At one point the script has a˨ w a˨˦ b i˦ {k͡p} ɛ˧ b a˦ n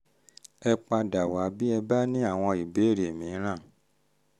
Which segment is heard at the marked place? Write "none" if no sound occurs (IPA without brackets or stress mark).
none